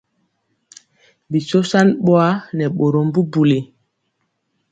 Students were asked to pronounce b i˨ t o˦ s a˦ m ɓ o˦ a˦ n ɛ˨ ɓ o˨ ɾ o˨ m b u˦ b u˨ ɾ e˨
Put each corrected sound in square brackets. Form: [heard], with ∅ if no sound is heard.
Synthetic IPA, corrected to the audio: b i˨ [s] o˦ s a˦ [n] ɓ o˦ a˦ n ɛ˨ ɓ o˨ ɾ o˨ m b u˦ b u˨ [l] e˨